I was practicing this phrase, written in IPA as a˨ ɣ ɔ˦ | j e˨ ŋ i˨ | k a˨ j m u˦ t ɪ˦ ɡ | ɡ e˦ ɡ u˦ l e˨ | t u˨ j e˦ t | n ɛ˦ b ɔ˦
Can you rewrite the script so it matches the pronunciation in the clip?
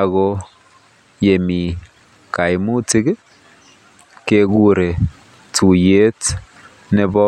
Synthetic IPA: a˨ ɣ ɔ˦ | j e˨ m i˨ | k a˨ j m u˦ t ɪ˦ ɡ | k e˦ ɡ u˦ ɾ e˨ | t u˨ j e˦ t | n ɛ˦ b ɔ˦